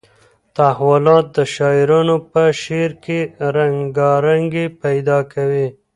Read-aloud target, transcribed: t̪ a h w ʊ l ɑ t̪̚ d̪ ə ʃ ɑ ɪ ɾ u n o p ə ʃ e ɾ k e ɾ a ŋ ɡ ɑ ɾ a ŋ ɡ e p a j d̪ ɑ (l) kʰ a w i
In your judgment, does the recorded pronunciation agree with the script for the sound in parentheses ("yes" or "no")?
no